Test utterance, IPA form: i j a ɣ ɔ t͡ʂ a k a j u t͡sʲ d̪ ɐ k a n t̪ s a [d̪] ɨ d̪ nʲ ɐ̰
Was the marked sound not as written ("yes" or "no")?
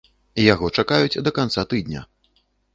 yes